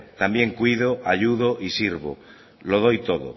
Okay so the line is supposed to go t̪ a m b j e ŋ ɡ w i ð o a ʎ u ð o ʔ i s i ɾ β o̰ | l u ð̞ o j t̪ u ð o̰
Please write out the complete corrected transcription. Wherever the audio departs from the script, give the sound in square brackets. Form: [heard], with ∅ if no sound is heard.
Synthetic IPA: t̪ a m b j e ŋ [k] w i ð o a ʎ u ð o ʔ i s i ɾ β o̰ | l [o] ð̞ o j t̪ [o] ð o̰